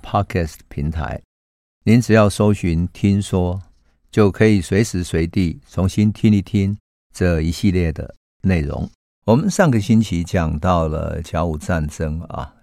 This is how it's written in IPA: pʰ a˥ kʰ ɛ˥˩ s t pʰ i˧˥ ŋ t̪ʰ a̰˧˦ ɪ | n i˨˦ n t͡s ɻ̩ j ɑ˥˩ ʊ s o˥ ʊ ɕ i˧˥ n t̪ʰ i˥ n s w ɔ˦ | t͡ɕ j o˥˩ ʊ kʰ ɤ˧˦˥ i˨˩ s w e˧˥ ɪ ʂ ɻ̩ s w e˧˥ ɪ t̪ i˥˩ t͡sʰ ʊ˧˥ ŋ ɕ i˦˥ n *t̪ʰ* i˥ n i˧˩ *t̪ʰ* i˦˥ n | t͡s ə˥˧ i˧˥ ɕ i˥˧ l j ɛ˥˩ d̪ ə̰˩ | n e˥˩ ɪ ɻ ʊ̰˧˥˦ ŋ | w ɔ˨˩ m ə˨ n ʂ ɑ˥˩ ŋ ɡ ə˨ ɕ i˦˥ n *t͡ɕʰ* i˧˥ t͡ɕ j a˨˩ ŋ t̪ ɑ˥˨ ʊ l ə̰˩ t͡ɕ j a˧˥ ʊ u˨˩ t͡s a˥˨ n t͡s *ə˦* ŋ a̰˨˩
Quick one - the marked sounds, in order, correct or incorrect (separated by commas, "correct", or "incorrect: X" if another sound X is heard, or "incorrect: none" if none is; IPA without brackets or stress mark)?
correct, correct, correct, correct